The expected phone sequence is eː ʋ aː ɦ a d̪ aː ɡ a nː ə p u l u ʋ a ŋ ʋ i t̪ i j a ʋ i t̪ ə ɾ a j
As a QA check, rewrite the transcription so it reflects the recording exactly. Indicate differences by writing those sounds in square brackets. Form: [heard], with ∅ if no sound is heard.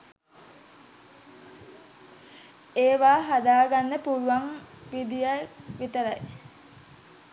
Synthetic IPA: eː ʋ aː ɦ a d̪ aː ɡ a nː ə p u l u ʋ a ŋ ʋ i [d̪] i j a ʋ i t̪ ə ɾ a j